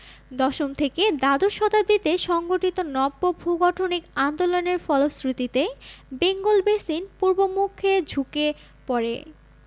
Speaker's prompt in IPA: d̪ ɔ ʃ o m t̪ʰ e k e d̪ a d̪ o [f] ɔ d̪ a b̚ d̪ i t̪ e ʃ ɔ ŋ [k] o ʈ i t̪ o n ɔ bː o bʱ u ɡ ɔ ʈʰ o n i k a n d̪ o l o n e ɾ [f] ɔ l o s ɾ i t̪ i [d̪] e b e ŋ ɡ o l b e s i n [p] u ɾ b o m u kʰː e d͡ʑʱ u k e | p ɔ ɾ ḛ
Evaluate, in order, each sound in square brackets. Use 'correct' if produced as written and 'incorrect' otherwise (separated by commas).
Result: incorrect, incorrect, correct, incorrect, correct